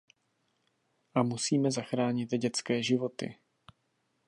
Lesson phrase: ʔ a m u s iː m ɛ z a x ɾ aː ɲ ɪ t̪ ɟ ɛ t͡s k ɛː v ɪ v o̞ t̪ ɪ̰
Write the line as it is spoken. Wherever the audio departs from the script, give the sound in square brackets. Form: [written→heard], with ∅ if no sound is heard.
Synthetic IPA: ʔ a m u s iː m ɛ z a x ɾ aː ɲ ɪ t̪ ɟ ɛ t͡s k ɛː [v→ʒ] ɪ v o̞ t̪ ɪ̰